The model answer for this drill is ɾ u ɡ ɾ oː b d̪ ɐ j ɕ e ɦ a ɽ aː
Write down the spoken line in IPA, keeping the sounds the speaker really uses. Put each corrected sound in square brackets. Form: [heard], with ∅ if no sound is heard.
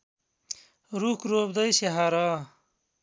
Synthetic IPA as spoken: ɾ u [k] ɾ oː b d̪ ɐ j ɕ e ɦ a [ɾ] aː